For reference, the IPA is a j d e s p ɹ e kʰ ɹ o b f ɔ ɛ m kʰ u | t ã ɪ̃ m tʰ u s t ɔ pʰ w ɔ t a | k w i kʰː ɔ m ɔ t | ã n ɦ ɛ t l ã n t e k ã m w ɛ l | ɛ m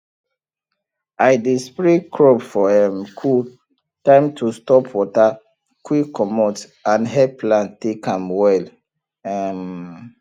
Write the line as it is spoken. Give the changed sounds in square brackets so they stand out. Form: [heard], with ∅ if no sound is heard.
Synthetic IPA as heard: a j d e s p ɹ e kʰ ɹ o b f ɔ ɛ m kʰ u | t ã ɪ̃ m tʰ u s t ɔ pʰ w ɔ t a | k w i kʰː ɔ m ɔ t | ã n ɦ ɛ [p] l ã n t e k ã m w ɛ l | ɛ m